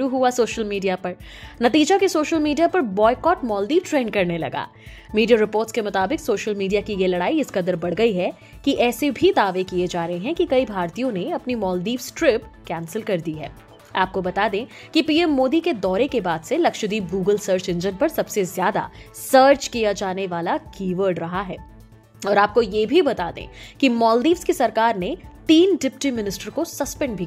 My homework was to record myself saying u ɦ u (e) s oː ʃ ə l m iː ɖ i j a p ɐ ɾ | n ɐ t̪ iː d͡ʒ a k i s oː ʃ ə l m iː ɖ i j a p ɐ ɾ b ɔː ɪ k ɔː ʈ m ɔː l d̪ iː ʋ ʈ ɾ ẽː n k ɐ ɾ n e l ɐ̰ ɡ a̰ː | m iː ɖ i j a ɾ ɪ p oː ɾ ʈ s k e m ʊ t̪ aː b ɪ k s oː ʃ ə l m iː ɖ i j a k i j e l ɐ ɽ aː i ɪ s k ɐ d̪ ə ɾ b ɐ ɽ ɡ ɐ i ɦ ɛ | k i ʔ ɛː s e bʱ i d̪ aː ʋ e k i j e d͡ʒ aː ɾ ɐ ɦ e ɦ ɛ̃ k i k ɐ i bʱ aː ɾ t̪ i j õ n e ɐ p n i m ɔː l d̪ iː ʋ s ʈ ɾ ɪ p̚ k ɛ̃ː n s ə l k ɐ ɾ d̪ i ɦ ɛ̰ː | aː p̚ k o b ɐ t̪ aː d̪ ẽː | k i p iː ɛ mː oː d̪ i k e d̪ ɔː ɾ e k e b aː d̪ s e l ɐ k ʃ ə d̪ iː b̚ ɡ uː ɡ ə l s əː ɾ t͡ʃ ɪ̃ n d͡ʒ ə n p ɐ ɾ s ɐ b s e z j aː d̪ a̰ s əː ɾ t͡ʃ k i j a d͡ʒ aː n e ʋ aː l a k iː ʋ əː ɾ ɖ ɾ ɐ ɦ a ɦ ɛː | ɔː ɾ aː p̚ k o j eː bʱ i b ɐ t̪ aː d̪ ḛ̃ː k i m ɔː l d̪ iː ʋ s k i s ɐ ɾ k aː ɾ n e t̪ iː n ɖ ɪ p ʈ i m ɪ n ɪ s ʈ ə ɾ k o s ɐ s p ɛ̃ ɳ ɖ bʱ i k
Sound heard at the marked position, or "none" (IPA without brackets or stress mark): a